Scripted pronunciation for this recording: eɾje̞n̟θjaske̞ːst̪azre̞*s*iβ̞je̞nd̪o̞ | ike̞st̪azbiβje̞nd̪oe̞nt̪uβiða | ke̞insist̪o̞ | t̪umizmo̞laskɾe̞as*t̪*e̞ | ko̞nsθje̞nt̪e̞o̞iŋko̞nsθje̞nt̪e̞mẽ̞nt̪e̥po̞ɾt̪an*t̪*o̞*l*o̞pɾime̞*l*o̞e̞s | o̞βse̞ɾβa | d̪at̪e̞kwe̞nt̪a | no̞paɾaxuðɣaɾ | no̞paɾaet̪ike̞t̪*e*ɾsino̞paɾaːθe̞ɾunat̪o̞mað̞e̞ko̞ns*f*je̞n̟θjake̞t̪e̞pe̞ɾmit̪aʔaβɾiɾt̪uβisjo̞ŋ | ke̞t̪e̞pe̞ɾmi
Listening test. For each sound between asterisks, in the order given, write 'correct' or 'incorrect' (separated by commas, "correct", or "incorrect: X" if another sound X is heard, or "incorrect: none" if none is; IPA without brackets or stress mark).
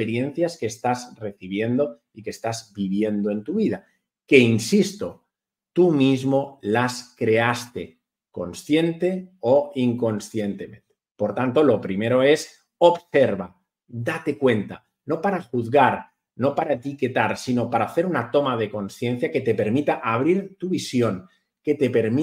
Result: incorrect: θ, correct, correct, correct, incorrect: ɾ, incorrect: a, incorrect: θ